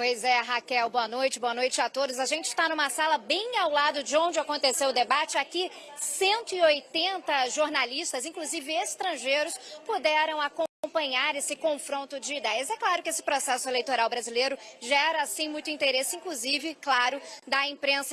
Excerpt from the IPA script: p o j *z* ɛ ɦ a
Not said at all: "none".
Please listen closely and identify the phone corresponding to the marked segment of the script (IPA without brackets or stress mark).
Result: z